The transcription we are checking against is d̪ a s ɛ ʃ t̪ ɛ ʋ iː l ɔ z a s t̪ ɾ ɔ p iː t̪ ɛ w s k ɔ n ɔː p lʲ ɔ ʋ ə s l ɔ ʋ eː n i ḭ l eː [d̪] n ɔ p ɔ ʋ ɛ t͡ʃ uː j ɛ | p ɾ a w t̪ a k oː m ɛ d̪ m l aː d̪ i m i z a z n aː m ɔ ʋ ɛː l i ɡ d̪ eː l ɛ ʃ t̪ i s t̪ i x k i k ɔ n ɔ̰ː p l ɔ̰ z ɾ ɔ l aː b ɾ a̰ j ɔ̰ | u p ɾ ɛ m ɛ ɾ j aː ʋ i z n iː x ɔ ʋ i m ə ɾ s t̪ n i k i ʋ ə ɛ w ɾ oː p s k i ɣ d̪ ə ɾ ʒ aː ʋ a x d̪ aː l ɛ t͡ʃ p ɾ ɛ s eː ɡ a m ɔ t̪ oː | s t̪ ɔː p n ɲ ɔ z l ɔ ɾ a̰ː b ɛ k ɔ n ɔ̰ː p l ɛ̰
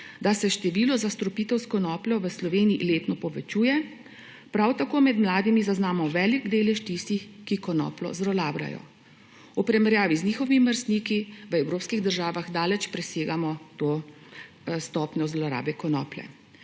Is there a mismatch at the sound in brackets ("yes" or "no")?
yes